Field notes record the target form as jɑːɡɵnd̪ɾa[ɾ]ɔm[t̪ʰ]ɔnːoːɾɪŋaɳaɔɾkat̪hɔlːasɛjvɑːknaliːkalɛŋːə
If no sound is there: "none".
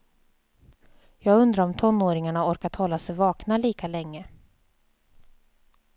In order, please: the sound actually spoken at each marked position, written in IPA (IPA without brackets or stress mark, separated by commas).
ɾ, t̪ʰ